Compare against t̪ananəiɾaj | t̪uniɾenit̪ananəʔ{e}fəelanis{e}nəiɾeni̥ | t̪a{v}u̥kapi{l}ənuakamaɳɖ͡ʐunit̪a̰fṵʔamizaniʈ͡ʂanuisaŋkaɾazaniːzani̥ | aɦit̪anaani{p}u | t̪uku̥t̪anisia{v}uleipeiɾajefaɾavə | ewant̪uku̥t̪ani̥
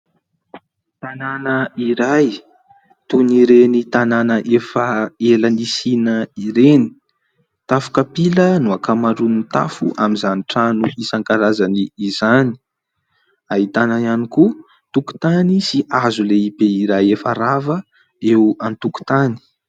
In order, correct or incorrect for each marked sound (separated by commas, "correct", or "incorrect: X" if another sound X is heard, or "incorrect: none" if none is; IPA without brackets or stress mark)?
correct, incorrect: i, incorrect: f, correct, incorrect: k, incorrect: z